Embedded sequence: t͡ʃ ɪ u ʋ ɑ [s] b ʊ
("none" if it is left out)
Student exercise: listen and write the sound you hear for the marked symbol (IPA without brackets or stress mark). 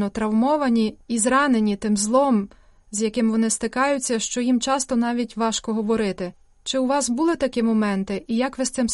s